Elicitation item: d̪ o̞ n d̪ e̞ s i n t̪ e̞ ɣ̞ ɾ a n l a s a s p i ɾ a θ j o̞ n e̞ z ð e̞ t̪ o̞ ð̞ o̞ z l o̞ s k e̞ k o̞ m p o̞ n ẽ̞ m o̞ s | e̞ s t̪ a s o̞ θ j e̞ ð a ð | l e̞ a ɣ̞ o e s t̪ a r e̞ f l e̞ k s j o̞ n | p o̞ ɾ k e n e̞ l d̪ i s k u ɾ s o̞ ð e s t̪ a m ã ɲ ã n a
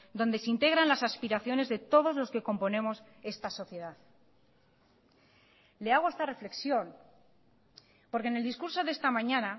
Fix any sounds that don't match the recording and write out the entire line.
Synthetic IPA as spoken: d̪ o̞ n d̪ e̞ s i n t̪ e̞ ɣ̞ ɾ a n l a s a s p i ɾ a θ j o̞ n e̞ z ð e̞ t̪ o̞ ð̞ o̞ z l o̞ s k e̞ k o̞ m p o̞ n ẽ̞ m o̞ s | e̞ s t̪ a s o̞ θ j e̞ ð a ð | l e̞ a ɣ̞ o e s t̪ a r e̞ f l e̞ k s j o̞ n | p o̞ ɾ k e n e̞ l d̪ i s k u ɾ s o̞ ð e s t̪ a m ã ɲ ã n a